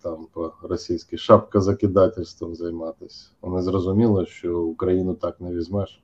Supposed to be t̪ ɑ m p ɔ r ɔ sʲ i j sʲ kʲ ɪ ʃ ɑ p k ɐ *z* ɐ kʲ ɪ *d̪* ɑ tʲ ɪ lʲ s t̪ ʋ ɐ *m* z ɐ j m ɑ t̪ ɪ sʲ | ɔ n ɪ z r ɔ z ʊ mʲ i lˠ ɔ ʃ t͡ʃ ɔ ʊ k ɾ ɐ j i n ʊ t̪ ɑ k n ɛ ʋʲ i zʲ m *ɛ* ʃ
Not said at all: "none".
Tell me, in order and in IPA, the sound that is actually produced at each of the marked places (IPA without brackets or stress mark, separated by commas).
z, d̪, m, ɛ